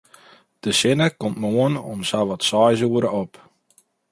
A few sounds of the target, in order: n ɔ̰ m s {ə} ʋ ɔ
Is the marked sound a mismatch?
yes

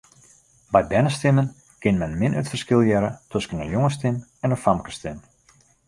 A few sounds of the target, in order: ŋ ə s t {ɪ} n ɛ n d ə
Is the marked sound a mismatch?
no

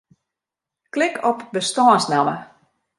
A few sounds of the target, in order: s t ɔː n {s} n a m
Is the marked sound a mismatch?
no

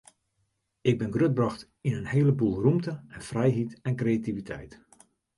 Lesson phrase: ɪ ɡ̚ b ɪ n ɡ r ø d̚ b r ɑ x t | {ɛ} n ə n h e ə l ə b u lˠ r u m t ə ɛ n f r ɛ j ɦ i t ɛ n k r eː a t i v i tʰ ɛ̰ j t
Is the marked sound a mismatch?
yes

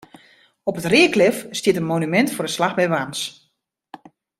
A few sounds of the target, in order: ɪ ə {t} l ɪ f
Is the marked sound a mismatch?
yes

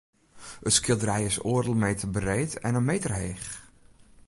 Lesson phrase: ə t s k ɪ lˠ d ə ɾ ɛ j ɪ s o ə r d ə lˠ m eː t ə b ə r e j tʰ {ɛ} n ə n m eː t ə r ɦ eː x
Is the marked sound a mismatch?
no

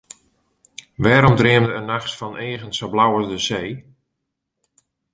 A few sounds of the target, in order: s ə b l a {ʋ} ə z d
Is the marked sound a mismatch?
yes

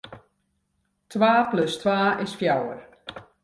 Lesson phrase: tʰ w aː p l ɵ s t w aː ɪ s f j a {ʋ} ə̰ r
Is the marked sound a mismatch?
yes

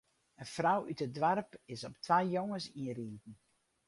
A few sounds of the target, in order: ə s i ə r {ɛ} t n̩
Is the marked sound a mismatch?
yes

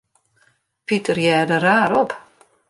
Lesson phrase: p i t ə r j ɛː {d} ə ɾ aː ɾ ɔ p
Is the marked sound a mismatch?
no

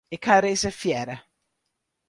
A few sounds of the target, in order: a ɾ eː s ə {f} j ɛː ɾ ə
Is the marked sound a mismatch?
no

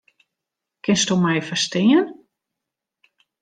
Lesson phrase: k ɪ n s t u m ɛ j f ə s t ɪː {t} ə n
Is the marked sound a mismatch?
yes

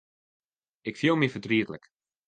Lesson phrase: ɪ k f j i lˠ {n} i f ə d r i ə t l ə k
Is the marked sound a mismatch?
yes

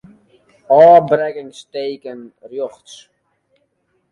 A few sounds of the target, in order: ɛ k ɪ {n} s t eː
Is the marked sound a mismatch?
yes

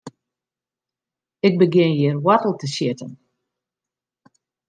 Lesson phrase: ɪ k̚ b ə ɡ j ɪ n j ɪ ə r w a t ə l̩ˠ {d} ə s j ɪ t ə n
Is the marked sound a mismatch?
yes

